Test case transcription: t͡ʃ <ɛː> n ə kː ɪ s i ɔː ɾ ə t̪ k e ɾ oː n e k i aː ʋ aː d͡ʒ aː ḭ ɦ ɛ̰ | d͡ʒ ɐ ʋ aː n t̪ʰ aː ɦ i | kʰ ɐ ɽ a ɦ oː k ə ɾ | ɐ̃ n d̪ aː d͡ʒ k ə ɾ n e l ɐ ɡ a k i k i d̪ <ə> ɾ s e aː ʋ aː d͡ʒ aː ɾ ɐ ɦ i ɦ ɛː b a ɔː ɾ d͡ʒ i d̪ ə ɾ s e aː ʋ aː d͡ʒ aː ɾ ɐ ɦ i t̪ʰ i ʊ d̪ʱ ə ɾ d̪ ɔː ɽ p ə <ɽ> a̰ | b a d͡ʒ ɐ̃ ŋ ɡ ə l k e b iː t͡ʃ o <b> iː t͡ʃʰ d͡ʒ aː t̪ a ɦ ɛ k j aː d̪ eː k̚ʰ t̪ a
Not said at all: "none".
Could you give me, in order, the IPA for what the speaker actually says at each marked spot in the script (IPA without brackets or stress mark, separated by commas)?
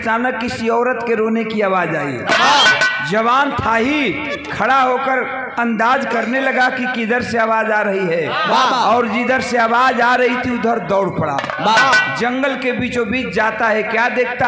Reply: aː, ə, ɽ, b